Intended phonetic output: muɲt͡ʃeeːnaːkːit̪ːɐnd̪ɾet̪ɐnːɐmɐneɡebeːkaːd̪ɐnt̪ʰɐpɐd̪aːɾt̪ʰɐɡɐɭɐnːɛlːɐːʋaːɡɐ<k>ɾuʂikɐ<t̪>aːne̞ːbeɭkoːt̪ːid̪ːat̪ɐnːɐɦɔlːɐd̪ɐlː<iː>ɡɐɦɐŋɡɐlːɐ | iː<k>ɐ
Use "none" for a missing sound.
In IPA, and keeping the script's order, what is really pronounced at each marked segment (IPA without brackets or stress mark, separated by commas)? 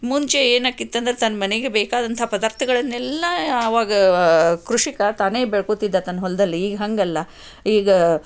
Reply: k, t̪, iː, ɡ